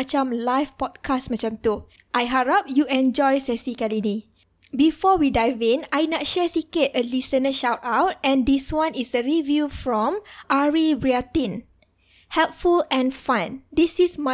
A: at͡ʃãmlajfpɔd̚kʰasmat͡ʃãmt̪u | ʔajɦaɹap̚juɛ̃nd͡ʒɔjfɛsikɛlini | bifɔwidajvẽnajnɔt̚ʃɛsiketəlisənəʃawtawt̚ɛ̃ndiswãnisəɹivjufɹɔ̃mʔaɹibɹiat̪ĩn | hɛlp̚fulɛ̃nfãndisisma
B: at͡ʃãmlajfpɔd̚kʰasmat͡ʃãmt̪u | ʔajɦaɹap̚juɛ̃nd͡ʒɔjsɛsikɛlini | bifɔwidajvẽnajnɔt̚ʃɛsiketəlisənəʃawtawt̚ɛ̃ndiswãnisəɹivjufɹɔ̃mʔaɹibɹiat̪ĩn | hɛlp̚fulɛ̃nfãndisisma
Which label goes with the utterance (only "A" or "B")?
B